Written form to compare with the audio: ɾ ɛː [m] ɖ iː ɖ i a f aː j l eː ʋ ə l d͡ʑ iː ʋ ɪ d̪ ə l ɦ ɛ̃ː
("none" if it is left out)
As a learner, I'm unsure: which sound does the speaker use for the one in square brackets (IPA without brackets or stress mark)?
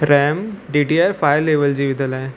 m